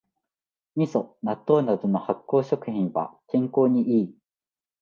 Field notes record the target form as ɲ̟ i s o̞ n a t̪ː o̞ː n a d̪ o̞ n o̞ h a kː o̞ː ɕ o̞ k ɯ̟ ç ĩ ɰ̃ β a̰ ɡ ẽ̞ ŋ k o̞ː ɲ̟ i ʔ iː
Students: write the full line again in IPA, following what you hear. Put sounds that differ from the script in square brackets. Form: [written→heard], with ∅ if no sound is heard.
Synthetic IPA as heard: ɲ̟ i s o̞ n a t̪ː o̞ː n a d̪ o̞ n o̞ h a kː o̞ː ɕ o̞ k ɯ̟ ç ĩ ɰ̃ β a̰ [ɡ→k] ẽ̞ ŋ k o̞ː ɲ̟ i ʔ iː